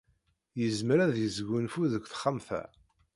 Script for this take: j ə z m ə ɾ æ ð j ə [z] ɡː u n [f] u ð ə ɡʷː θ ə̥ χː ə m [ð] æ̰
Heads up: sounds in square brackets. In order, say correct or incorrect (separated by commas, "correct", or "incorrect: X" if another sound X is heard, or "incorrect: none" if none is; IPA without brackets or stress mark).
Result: correct, correct, incorrect: θ